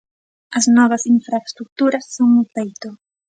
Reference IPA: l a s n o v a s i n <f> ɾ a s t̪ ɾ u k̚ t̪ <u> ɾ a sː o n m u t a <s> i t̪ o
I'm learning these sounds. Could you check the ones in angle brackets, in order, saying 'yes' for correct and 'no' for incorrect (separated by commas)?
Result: yes, yes, no